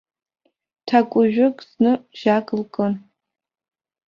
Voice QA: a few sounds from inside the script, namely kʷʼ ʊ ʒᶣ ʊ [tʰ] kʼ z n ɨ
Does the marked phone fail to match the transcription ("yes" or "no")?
yes